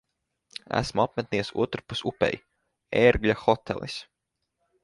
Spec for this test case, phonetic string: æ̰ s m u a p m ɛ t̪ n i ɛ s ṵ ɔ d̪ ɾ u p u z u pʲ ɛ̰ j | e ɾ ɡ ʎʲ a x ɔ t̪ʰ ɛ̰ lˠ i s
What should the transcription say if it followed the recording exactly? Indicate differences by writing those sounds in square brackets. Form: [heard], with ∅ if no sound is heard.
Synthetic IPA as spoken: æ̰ s m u a p m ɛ t̪ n i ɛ s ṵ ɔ [t̪] ɾ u p u [s] u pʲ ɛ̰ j | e ɾ ɡ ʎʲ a x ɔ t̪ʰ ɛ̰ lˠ i s